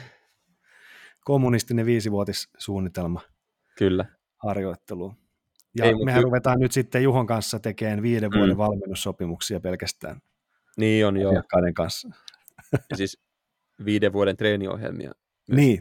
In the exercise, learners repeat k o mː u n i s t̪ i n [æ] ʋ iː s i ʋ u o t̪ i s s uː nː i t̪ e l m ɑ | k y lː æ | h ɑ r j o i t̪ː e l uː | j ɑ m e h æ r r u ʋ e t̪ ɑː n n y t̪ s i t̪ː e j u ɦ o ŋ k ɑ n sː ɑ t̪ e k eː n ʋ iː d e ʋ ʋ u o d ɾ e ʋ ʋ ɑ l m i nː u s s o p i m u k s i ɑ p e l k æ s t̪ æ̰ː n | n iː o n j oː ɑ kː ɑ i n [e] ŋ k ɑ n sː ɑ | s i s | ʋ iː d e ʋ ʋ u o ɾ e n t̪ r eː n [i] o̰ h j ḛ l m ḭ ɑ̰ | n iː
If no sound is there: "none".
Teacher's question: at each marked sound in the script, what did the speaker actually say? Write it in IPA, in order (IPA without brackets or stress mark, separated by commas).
e, e, i